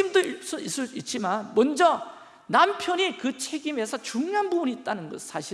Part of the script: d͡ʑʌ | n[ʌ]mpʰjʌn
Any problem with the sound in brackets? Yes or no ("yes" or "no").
yes